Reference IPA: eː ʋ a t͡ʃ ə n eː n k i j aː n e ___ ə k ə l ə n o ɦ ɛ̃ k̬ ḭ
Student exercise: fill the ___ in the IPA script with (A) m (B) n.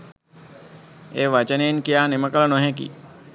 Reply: A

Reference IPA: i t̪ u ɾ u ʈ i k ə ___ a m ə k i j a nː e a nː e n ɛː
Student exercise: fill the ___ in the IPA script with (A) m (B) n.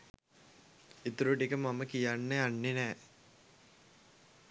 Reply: A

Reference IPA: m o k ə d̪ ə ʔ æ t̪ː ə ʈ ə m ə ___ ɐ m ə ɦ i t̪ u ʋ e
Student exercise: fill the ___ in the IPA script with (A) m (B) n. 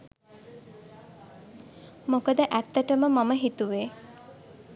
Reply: A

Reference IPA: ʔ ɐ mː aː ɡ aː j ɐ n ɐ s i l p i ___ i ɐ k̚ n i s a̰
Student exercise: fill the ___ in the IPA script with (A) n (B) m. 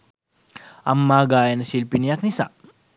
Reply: A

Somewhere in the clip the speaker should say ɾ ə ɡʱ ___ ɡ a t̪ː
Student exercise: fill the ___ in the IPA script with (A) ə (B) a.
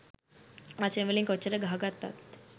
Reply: B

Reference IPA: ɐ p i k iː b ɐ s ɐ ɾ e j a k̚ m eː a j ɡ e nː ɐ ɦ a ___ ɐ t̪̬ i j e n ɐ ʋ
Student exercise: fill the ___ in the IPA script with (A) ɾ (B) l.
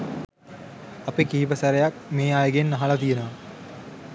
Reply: B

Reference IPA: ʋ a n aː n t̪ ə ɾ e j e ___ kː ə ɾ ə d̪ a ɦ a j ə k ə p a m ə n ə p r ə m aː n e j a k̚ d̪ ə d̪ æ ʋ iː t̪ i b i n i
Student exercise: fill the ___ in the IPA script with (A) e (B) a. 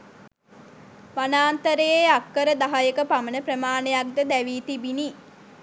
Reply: B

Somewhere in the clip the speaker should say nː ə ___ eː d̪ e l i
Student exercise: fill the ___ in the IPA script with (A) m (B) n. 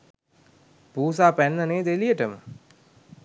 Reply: B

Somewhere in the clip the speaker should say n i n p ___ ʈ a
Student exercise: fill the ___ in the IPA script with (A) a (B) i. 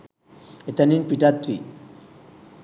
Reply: B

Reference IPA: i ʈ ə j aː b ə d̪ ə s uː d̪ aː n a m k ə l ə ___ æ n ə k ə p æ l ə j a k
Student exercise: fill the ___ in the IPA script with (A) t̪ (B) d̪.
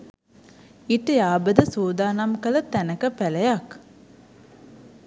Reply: A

